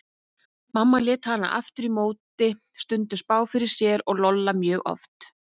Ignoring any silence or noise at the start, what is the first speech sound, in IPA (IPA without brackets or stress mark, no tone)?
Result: m